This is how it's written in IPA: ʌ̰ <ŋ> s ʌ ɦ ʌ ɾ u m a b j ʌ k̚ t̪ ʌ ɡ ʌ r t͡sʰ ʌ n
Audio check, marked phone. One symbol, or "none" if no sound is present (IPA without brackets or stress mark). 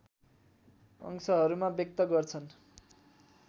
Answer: ŋ